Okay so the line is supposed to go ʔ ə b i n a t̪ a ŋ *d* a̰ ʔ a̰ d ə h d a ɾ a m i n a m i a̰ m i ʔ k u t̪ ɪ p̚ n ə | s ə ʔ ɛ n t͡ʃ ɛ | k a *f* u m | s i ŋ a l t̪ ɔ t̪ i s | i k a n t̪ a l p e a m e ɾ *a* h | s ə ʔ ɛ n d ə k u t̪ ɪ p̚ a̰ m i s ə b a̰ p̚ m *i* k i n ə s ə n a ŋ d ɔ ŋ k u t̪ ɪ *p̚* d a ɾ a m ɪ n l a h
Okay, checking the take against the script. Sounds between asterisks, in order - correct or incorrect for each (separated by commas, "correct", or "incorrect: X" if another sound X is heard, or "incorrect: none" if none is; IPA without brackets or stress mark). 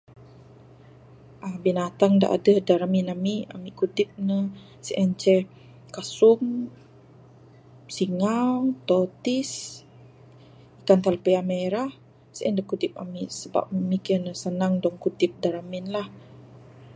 correct, incorrect: s, correct, correct, correct